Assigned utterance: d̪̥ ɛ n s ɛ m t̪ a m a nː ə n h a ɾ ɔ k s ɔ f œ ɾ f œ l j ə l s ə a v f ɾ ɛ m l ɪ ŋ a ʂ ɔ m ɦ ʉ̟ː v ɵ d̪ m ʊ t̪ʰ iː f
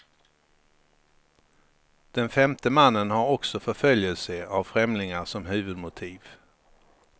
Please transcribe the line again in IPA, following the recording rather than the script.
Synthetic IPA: d̪̥ ɛ n f ɛ m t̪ ə m a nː ə n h a ɾ ɔ k s ɔ f œ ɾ f œ l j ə l s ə a v f ɾ ɛ m l ɪ ŋ a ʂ ɔ m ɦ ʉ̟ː v ɵ d̪ m ʊ t̪ʰ iː v